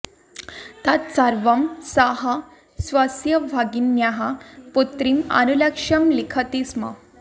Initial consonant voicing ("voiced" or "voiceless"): voiceless